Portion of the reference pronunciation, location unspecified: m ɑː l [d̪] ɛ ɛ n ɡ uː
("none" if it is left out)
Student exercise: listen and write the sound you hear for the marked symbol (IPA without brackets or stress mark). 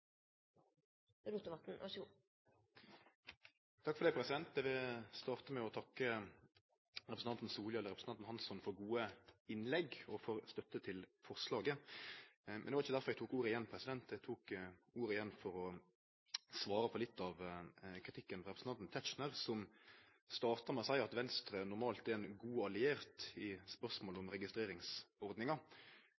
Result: t̪